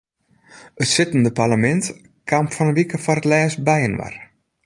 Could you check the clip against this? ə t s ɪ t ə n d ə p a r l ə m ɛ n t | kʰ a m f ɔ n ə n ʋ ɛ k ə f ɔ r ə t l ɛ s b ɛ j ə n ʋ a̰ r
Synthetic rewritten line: ə t s ɪ t ə n d ə p a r l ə m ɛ n t | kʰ a m f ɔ n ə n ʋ i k ə f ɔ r ə t l ɛː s b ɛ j ə n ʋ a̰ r